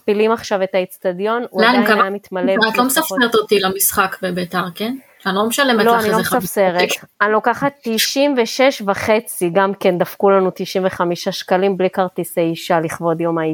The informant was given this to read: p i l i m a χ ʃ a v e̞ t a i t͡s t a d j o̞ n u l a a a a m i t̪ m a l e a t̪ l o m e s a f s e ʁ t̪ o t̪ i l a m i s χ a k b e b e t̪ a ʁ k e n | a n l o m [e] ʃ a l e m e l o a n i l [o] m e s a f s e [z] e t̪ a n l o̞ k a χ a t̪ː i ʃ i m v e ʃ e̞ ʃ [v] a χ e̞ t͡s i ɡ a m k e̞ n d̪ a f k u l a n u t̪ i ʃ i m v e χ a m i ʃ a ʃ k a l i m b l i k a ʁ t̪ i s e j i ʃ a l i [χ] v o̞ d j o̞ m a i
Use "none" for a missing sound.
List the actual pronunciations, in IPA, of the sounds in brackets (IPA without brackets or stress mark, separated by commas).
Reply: e, o, ʁ, v, χ